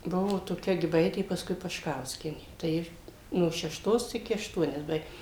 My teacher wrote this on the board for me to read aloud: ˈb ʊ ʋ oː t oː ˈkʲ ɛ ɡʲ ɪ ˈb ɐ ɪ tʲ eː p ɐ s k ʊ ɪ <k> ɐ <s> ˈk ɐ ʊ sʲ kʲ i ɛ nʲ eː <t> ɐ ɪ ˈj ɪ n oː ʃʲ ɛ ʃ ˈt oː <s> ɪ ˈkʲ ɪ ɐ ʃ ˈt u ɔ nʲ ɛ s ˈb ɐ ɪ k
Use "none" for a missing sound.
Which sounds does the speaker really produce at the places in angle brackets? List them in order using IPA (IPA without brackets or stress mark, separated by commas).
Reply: p, ʃ, t, s